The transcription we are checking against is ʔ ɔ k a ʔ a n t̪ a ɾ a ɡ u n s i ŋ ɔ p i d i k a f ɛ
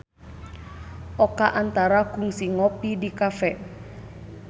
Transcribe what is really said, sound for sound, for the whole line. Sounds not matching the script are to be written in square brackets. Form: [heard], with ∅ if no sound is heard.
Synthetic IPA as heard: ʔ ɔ k a ʔ a n t̪ a ɾ a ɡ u [ŋ] s i ŋ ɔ p i d i k a f ɛ